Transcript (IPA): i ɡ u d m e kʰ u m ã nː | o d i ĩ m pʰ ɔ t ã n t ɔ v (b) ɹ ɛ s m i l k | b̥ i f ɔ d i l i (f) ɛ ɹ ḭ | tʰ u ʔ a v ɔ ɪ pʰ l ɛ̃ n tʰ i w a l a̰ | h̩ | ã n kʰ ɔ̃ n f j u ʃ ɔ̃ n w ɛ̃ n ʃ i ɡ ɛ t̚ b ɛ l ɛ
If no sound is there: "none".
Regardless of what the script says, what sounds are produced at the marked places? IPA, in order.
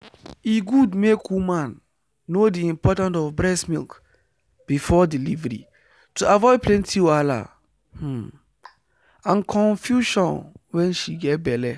b, v

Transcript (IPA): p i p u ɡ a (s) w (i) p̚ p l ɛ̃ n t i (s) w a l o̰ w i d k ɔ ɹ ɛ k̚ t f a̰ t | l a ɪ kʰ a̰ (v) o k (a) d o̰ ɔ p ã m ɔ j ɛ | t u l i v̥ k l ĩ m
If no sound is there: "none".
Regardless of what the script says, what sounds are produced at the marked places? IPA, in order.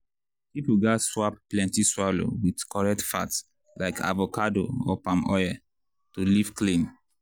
s, a, s, v, a

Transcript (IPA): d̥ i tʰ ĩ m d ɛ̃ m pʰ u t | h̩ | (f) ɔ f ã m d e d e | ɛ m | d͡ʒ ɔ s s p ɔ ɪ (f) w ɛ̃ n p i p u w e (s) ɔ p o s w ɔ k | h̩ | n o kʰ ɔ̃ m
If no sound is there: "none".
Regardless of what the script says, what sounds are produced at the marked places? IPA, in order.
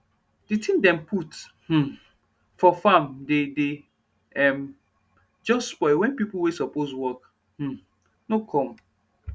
f, none, s

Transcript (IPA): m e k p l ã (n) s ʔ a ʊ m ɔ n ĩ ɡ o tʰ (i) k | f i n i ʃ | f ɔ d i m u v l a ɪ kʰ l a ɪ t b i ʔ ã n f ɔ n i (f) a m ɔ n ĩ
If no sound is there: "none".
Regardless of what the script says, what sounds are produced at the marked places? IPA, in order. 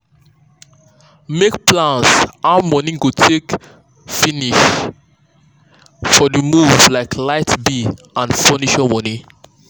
n, e, ʃ

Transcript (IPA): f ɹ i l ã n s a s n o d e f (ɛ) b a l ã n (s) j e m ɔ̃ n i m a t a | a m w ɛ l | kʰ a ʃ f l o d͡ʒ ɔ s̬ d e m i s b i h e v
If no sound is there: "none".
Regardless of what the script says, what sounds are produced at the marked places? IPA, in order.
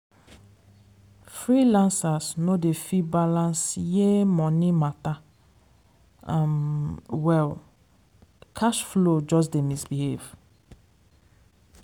i, s

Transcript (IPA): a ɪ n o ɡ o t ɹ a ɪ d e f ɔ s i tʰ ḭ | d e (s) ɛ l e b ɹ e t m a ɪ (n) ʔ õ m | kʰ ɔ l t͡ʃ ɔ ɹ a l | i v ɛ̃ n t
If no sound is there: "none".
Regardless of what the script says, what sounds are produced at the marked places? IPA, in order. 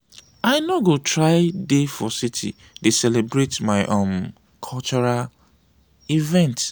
s, none

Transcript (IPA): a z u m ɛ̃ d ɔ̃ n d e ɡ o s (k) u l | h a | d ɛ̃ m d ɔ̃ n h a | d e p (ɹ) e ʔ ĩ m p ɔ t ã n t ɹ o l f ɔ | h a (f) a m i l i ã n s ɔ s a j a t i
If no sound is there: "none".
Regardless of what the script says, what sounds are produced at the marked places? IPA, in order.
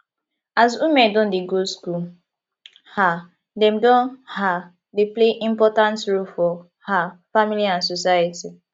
k, l, f

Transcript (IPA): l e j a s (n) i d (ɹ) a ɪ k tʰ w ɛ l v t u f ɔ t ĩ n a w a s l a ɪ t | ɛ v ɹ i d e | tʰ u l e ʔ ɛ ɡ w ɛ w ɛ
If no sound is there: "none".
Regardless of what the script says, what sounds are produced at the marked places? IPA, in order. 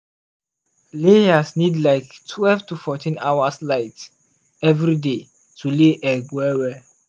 n, l

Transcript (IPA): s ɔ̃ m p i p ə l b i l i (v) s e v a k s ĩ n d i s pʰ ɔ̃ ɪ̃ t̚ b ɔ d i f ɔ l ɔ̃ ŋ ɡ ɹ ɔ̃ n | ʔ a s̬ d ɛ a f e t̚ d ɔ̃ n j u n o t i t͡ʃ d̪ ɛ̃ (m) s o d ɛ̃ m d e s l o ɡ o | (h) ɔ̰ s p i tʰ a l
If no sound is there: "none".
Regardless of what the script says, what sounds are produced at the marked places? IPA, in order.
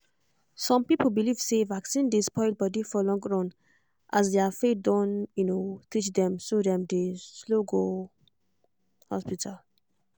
v, m, h

